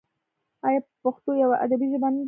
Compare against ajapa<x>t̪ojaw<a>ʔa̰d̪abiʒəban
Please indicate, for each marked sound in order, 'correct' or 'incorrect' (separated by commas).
correct, correct